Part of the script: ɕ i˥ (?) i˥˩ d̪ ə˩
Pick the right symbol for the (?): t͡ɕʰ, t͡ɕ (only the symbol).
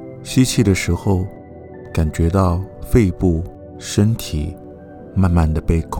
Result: t͡ɕʰ